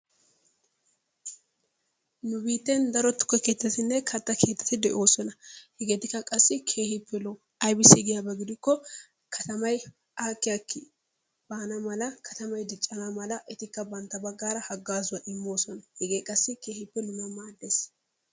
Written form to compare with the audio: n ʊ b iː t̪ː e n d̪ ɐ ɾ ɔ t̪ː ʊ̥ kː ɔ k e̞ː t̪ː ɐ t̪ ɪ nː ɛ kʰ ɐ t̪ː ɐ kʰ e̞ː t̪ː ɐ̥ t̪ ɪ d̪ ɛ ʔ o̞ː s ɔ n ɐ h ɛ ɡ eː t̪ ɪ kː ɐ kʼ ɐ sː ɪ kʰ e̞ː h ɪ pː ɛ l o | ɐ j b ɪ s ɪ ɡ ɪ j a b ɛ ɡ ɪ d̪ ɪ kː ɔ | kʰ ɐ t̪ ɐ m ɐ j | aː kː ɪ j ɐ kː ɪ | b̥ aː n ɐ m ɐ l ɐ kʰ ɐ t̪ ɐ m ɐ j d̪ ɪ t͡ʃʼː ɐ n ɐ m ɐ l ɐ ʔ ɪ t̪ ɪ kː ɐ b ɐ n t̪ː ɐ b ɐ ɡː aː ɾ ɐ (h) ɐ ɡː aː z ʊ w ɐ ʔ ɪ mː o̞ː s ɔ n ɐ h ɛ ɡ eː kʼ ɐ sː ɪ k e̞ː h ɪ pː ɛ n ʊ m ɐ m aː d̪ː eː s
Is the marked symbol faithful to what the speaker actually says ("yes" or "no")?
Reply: yes